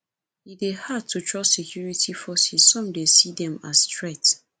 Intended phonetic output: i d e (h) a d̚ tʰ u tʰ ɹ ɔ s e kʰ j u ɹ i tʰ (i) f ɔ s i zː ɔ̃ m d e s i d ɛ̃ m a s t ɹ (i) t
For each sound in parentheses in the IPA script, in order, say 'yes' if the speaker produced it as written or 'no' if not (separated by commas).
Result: yes, yes, no